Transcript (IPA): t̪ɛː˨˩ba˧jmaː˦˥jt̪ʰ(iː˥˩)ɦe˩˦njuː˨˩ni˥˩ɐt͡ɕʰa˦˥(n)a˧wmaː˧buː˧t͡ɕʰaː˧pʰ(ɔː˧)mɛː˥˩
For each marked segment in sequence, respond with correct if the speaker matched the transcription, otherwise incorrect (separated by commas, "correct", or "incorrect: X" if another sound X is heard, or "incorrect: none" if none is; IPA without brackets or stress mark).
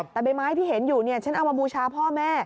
correct, correct, incorrect: ɔː˥˩